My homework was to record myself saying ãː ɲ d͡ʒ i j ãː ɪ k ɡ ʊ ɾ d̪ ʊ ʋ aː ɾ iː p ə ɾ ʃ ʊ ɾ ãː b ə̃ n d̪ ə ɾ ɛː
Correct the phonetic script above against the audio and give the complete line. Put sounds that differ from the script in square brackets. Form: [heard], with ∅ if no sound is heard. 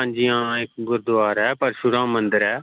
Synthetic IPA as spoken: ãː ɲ d͡ʒ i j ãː ɪ k ɡ ʊ ɾ d̪ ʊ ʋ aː ɾ [ɛː] p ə ɾ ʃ ʊ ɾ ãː [m] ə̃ n d̪ ə ɾ ɛː